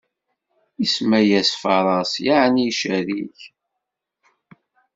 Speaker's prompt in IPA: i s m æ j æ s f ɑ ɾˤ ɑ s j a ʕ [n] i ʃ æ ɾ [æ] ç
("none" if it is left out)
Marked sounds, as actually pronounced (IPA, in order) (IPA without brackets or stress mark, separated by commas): n, i